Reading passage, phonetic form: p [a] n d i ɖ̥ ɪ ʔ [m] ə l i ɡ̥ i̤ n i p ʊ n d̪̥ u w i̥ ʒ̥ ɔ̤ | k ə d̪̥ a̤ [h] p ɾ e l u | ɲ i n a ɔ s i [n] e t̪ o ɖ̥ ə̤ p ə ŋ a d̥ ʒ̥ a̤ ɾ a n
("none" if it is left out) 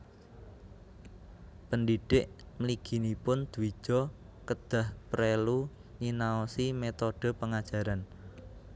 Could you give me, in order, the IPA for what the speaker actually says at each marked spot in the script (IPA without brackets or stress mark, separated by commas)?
ə, m, h, m